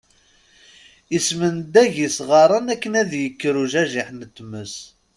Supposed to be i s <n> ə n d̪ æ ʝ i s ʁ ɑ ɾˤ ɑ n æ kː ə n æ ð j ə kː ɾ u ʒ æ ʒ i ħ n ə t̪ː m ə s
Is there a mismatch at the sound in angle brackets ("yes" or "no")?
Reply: yes